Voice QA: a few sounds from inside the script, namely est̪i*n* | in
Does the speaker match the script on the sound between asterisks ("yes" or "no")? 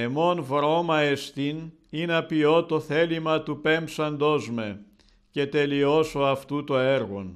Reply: yes